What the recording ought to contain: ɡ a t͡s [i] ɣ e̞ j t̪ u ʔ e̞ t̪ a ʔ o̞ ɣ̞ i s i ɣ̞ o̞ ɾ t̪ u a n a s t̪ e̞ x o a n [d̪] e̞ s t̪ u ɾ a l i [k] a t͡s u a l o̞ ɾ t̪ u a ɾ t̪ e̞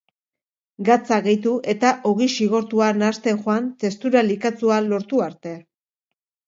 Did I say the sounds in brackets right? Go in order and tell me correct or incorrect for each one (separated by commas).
incorrect, incorrect, correct